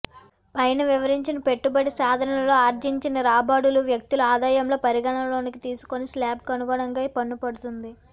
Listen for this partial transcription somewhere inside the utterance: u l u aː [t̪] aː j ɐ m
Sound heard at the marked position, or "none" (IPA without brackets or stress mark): d̪